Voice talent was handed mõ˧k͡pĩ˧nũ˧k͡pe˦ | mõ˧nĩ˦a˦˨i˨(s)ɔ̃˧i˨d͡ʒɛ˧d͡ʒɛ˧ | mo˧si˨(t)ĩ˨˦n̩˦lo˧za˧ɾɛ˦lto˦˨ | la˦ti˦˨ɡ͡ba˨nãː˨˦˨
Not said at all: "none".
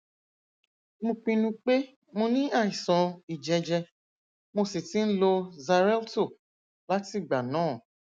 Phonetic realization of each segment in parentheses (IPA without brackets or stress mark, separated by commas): s, t